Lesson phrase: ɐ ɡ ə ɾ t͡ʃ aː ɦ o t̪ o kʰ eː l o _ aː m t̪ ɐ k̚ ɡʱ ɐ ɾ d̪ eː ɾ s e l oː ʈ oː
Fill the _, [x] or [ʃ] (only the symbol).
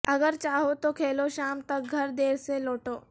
ʃ